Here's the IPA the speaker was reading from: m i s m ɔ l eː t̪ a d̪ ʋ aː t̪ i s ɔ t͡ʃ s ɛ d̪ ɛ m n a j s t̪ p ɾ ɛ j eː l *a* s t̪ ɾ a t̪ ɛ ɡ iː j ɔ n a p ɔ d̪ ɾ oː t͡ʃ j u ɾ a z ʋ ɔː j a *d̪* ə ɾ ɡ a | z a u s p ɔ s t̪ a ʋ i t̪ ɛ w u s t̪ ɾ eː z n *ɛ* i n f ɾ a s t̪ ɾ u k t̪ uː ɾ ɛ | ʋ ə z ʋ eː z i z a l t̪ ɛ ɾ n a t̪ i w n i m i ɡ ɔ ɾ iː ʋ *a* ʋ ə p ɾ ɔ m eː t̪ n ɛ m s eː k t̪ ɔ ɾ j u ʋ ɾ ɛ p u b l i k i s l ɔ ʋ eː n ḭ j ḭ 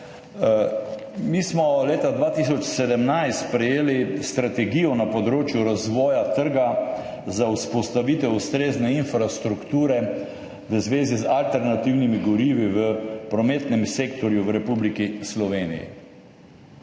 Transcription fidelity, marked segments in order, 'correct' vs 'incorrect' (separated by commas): incorrect, incorrect, correct, incorrect